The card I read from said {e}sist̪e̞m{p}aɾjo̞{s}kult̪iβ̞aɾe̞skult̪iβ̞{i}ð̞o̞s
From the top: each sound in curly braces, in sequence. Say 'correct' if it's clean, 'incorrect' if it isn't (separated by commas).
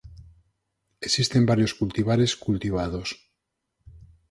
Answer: correct, incorrect, correct, incorrect